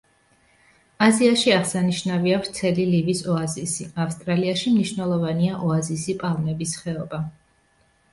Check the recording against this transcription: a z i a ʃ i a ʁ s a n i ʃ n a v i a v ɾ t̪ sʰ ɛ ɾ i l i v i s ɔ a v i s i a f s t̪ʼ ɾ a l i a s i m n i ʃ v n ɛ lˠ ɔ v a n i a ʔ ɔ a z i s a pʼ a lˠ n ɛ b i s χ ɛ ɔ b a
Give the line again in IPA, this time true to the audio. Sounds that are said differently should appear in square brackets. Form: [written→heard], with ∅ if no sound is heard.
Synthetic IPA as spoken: a z i a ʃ i a ʁ s a n i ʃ n a v i a v ɾ t̪ sʰ ɛ [ɾ→l] i l i v i s ɔ a [v→z] i s i a f s t̪ʼ ɾ a l i a [s→ʃ] i m n i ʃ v n ɛ lˠ ɔ v a n i a ʔ ɔ a z i s [a→i] pʼ a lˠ n ɛ b i s χ ɛ ɔ b a